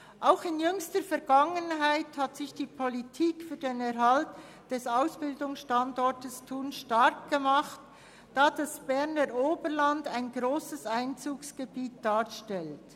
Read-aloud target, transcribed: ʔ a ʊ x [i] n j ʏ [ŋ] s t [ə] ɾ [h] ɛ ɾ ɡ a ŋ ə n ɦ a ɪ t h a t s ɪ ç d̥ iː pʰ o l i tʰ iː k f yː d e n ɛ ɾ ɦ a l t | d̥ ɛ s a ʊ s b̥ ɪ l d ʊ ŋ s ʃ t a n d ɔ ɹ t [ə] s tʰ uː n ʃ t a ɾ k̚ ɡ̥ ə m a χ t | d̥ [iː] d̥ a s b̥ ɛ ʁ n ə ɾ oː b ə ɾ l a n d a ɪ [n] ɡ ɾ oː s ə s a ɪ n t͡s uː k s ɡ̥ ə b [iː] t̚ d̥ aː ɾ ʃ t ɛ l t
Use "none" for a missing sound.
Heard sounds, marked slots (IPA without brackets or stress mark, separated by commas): ɪ, ŋ, ə, f, ə, aː, n, iː